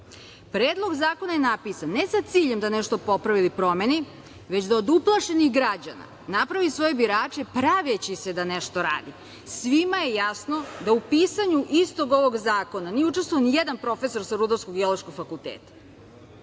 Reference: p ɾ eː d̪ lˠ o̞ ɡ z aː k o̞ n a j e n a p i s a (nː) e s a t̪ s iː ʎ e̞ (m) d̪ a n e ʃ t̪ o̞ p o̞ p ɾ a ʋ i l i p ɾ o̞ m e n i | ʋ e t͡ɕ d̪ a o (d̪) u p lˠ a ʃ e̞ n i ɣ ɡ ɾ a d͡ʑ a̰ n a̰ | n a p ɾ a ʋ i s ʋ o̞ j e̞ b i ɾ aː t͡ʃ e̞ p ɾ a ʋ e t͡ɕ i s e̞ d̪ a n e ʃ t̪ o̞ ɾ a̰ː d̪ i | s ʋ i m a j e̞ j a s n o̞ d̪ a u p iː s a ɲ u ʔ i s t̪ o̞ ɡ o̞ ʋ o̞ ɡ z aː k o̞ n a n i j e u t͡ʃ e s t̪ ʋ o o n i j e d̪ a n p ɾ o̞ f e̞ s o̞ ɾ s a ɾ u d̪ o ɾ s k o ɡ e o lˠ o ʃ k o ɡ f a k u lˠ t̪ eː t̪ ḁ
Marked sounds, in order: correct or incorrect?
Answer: correct, correct, correct

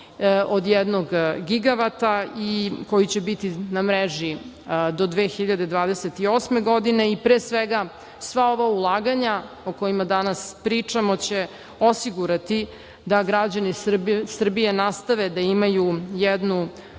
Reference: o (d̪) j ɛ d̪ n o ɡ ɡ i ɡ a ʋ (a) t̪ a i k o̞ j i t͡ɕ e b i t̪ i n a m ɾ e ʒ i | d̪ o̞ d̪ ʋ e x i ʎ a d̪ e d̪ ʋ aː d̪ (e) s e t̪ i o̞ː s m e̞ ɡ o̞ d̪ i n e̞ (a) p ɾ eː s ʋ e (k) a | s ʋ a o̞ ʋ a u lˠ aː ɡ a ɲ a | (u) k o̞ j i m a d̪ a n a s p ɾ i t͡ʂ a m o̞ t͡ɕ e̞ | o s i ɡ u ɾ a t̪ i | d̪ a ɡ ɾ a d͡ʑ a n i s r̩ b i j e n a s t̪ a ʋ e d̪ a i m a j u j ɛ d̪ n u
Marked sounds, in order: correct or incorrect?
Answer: correct, correct, correct, incorrect: i, incorrect: ɡ, incorrect: o

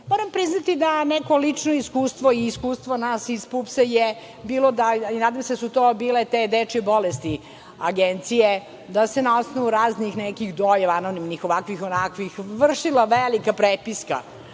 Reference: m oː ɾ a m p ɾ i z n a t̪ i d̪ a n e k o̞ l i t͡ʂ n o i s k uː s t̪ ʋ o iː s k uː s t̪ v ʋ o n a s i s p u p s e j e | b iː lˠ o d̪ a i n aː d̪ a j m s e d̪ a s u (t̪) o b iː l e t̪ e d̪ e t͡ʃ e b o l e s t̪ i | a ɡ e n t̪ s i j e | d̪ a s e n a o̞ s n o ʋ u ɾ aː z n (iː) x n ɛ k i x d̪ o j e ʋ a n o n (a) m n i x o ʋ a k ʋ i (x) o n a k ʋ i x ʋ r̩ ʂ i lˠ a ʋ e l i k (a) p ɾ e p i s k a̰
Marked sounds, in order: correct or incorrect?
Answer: correct, incorrect: i, incorrect: i, correct, correct

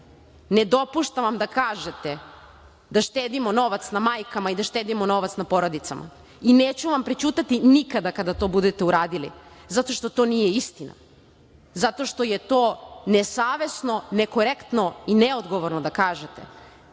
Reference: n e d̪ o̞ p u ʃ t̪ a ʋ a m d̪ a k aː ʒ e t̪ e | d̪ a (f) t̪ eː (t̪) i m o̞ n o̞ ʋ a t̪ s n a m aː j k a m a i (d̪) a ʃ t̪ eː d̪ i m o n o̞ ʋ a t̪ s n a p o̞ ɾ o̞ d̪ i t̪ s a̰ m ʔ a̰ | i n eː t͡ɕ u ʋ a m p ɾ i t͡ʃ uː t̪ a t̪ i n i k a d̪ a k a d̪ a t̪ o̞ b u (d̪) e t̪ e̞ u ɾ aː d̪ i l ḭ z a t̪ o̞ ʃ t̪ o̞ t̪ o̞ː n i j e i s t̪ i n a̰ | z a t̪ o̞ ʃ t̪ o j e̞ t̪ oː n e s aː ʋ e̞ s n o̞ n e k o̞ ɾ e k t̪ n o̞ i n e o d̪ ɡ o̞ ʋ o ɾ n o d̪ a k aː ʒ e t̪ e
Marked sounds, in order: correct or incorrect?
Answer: incorrect: ʃ, incorrect: d̪, correct, correct

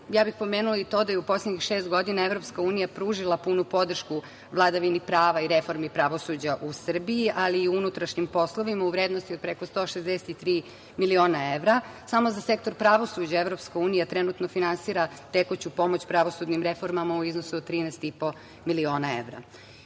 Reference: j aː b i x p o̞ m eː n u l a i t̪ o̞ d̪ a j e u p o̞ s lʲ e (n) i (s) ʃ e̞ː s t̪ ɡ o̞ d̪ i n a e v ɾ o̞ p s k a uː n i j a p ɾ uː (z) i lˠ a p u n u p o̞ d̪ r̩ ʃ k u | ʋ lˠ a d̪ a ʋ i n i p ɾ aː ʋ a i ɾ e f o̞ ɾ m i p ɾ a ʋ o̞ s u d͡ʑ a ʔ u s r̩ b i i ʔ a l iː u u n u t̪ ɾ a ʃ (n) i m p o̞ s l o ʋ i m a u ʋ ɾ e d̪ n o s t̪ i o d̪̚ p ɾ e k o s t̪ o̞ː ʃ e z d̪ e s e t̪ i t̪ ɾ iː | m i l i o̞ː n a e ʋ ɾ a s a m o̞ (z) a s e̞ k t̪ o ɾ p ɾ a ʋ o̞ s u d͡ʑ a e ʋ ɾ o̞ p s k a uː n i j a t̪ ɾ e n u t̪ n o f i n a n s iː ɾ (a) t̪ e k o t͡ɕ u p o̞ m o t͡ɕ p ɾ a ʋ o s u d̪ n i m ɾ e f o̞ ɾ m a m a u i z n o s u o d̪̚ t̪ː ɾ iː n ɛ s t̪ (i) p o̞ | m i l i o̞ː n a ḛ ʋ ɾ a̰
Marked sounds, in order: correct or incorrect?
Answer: incorrect: ɲ, incorrect: x, incorrect: ʒ, incorrect: ɲ, correct, correct, correct

